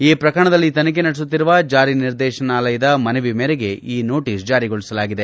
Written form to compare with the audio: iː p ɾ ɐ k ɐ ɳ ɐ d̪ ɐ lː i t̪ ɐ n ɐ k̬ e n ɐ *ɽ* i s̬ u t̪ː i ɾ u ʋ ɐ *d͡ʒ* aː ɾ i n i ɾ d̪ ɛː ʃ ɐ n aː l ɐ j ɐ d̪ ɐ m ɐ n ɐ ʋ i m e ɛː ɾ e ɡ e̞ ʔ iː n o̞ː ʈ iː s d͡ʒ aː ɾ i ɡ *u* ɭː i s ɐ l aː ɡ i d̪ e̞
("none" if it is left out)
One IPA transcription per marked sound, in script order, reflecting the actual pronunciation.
ɽ, d͡ʒ, o

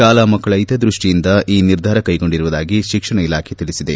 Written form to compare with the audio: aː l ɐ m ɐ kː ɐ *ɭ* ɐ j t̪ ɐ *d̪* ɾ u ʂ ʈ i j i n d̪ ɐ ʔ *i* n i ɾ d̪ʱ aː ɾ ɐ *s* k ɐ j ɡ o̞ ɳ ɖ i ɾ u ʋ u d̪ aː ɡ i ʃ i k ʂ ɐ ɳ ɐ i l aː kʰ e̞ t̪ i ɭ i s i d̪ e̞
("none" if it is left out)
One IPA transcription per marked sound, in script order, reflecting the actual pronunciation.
ɭ, d̪, iː, none

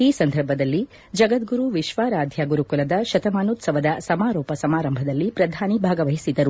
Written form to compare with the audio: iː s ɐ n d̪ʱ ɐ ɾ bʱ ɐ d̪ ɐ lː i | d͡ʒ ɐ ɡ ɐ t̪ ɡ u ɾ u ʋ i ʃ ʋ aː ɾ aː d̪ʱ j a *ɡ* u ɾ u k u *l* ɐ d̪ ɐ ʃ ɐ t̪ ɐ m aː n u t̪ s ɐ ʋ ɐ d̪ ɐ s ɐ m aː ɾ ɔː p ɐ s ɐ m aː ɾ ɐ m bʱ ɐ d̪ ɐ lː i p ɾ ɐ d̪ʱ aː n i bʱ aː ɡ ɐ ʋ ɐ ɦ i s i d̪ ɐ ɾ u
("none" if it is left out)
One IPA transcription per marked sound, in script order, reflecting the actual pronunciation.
ɡ, l

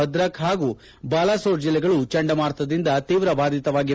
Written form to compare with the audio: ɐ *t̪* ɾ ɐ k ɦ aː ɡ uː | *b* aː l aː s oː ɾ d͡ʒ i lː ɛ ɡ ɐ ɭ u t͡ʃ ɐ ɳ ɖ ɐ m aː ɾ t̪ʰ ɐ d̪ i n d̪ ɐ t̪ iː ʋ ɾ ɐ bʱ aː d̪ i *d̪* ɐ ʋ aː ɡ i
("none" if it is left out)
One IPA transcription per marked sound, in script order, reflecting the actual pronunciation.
d̪, b, t̪

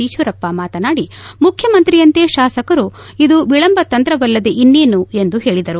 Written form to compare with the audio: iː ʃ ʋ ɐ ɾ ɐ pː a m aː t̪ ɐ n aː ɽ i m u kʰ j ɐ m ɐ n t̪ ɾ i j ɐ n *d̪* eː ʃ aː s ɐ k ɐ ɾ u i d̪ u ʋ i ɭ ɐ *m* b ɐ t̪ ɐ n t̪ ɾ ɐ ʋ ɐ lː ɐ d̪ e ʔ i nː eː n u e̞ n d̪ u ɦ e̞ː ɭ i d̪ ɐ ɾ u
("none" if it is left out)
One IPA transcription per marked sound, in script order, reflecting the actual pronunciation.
t̪, m

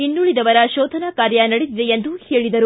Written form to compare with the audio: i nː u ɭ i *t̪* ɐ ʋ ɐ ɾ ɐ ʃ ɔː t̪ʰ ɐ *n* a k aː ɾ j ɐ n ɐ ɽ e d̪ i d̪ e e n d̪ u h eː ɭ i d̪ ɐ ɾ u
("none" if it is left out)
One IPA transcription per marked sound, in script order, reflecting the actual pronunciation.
d̪, n

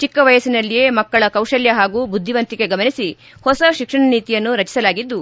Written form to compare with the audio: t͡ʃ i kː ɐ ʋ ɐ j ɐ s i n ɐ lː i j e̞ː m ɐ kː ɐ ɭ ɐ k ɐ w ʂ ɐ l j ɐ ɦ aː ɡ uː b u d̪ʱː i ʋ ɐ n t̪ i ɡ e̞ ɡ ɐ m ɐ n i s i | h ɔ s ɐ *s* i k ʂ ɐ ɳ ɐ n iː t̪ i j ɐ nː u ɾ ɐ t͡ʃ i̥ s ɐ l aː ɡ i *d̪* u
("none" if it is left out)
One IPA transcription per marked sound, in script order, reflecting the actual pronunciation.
ʃ, d̪ː

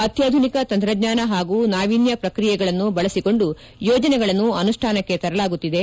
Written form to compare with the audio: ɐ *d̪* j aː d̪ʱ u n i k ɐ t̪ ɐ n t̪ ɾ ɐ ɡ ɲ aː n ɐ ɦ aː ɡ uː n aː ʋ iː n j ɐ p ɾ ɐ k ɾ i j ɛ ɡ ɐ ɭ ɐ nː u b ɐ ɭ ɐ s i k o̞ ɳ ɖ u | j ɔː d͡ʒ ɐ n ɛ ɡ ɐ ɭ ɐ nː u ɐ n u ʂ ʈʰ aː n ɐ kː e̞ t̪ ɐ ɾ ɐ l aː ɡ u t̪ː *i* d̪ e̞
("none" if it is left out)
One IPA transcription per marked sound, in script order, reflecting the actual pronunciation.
t̪, i

